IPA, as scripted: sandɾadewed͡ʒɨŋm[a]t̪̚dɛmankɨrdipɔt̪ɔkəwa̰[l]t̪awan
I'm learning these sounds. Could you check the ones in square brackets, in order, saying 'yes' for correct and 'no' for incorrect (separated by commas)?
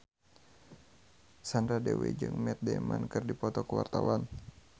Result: no, no